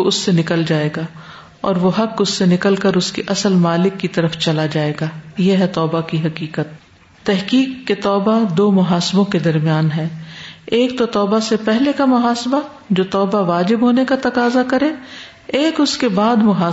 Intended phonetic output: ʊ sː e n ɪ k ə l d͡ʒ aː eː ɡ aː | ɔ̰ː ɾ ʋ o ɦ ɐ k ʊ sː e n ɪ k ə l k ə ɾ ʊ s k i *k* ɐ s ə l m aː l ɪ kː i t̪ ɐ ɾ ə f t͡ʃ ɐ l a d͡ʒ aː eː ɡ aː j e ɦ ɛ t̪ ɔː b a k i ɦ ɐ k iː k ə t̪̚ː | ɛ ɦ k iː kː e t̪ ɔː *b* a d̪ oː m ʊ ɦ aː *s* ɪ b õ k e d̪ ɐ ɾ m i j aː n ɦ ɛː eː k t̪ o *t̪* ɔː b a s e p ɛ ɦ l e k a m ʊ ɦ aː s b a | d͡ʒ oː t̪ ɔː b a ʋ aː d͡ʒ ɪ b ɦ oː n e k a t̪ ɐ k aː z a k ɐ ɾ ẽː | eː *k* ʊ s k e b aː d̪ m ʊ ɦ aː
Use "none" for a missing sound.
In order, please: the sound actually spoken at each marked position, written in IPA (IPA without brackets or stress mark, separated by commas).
ʔ, b, s, t̪, k